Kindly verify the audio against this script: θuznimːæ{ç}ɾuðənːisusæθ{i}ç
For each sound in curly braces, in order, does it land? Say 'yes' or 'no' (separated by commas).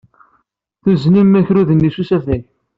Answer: yes, no